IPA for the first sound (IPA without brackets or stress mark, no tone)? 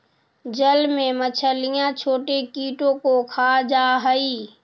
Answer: d͡ʒ